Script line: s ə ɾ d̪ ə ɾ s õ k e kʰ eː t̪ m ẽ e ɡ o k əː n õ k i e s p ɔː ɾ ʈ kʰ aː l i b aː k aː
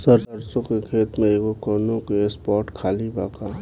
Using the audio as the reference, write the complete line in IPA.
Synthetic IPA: s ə ɾ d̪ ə ɾ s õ k e kʰ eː t̪ m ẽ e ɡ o k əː n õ k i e s p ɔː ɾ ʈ kʰ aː l i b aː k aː

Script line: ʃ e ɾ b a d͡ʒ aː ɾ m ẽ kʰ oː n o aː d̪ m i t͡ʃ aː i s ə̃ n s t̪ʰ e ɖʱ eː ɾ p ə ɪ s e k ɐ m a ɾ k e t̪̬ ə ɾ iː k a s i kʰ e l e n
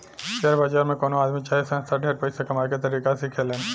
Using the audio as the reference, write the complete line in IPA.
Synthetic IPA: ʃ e ɾ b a d͡ʒ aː ɾ m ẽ k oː n o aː d̪ m i t͡ʃ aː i s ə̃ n s t̪ʰ a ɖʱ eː ɾ p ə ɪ s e k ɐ m a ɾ k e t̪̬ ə ɾ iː k a s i kʰ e l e n

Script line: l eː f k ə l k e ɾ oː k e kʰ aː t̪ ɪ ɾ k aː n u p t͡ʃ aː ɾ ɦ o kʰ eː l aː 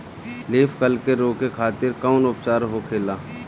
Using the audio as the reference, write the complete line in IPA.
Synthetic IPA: l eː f k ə l k e ɾ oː k e kʰ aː t̪ ɪ ɾ k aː n ʊ p t͡ʃ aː ɾ ɦ o kʰ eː l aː

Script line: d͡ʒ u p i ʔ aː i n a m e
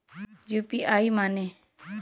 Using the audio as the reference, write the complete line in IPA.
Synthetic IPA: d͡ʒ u p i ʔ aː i m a n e

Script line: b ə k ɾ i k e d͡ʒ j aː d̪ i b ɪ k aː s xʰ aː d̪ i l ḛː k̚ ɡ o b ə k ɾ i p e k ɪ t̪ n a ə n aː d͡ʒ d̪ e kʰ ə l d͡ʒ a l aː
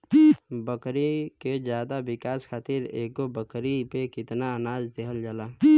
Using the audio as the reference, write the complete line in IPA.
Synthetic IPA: b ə k ɾ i k e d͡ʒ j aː d̪ a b ɪ k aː s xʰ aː t̪ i ɾ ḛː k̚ ɡ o b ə k ɾ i p e k ɪ t̪ n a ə n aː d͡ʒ d̪ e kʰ ə l d͡ʒ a l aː

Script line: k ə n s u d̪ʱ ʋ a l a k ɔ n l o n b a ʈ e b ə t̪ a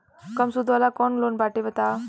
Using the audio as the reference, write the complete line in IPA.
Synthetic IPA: k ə m s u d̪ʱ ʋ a l a k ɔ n l o n b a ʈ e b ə t̪ a

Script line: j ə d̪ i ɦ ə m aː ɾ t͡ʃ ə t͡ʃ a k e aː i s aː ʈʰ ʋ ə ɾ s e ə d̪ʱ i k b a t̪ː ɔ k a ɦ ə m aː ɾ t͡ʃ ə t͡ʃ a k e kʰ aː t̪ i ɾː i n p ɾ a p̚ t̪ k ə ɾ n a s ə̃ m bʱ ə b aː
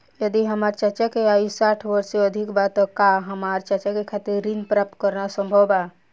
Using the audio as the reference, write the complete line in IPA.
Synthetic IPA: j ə d̪ i ɦ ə m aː ɾ t͡ʃ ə t͡ʃ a k e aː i s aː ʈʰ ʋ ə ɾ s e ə d̪ʱ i k b a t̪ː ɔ k a ɦ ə m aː ɾ t͡ʃ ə t͡ʃ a k e kʰ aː t̪ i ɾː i n p ɾ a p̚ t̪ k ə ɾ n a s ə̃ m bʱ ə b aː

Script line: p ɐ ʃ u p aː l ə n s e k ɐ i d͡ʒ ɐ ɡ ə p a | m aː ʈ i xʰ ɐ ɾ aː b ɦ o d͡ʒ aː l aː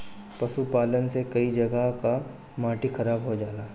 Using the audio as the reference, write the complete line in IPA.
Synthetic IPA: p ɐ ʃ u p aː l ə n s e k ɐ i d͡ʒ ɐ ɡ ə k a | m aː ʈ i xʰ ɐ ɾ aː b ɦ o d͡ʒ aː l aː

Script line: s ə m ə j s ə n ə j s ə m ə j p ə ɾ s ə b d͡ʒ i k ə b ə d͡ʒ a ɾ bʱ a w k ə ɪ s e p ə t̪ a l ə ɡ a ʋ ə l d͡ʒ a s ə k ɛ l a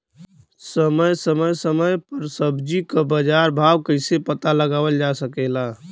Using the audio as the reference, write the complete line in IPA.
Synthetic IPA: s ə m ə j s ə m ə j s ə m ə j p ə ɾ s ə b d͡ʒ i k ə b ə d͡ʒ a ɾ bʱ a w k ə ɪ s e p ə t̪ a l ə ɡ a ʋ ə l d͡ʒ a s ə k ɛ l a

